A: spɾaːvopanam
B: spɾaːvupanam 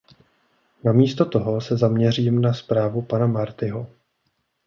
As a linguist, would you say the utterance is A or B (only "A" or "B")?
B